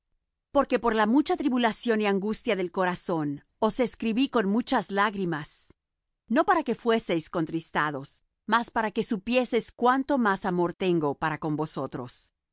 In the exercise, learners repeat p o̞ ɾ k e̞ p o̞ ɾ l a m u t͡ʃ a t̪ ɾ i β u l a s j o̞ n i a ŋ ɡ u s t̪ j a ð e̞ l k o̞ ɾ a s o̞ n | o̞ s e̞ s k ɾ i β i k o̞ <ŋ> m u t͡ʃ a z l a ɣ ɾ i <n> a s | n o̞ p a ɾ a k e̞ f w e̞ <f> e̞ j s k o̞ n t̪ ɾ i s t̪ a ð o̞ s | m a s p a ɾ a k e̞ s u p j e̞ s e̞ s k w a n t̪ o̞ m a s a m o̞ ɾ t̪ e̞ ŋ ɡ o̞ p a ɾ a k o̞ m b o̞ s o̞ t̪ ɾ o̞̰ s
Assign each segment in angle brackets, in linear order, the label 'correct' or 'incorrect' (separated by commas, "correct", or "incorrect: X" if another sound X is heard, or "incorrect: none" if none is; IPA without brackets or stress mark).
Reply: incorrect: n, incorrect: m, incorrect: s